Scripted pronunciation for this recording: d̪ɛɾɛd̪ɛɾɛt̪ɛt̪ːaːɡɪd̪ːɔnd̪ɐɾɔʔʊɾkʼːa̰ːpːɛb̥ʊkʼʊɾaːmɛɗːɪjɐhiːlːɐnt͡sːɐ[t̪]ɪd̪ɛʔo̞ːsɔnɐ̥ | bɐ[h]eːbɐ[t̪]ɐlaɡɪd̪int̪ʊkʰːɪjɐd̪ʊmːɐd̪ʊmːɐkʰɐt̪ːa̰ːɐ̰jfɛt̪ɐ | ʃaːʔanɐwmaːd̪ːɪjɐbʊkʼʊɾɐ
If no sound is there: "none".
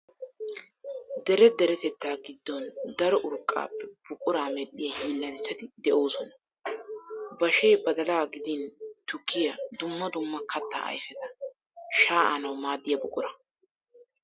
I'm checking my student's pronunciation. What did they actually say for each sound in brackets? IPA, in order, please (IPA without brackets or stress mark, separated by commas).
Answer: t̪, ʃ, d̪